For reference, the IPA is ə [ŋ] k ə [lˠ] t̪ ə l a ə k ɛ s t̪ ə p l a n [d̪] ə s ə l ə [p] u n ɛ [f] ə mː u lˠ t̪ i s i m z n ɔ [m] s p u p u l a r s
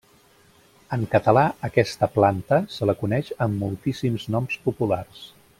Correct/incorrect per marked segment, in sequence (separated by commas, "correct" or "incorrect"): correct, incorrect, incorrect, incorrect, incorrect, correct